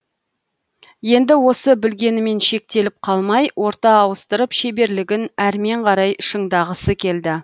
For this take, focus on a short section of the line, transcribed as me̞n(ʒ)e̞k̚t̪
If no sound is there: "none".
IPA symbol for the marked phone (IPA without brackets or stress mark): ʃ